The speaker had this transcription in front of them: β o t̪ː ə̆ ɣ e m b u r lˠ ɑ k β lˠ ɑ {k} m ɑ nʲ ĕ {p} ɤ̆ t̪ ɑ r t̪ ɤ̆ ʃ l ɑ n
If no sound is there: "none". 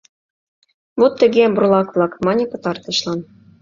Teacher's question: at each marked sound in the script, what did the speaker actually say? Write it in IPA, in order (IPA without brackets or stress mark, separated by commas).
k, p